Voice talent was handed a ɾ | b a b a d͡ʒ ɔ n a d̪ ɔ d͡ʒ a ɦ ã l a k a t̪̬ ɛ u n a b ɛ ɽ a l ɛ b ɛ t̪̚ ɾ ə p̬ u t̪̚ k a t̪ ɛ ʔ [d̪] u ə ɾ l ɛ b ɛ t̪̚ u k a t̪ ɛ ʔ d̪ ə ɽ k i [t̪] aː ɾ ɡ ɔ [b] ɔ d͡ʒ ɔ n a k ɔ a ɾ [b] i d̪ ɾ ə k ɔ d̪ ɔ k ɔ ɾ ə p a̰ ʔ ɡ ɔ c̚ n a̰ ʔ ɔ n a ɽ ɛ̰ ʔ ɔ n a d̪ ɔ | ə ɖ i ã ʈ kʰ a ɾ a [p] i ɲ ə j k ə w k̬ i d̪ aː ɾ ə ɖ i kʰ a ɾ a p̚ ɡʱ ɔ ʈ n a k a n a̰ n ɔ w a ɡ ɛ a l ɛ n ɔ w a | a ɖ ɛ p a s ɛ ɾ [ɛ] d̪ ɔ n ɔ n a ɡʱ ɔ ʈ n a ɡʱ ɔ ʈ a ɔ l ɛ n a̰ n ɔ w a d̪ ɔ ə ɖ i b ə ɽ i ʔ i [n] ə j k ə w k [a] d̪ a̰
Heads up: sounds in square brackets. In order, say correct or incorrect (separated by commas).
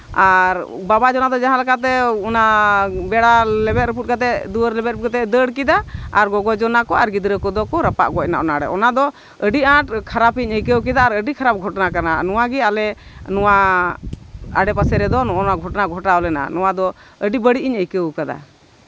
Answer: correct, incorrect, incorrect, incorrect, correct, correct, incorrect, correct